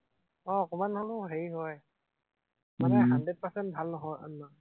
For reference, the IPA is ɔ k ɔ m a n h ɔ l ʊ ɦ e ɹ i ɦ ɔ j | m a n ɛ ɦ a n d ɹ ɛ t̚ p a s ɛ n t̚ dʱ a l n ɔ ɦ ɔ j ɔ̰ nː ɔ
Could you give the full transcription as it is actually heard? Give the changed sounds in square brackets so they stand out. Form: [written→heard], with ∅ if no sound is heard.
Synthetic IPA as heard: ɔ k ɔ m a n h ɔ l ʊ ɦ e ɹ i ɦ ɔ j | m a n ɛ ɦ a n d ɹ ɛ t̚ p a s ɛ n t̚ [dʱ→bʱ] a l n ɔ ɦ ɔ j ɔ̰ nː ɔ